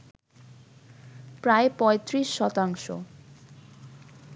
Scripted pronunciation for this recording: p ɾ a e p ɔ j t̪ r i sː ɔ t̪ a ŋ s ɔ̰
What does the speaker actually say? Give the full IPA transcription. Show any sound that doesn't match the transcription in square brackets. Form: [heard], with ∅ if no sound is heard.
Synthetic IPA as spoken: p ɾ a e p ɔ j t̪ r i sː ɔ t̪ a ŋ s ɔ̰